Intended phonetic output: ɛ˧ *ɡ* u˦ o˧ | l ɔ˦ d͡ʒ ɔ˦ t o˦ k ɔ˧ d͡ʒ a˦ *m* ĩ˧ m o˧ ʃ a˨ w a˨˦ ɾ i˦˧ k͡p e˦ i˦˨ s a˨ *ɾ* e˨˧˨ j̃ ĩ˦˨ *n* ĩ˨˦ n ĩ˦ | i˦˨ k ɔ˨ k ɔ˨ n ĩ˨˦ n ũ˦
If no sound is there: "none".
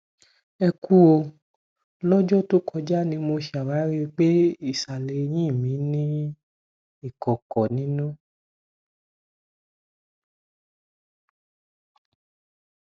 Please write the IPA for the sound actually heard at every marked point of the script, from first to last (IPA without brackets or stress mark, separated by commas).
k, n, l, m